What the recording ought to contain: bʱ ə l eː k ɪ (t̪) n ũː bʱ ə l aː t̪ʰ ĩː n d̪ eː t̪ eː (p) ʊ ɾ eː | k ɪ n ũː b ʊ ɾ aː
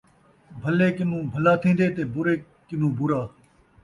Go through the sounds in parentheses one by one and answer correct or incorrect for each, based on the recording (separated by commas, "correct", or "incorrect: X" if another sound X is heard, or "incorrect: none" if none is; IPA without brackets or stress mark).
incorrect: none, incorrect: b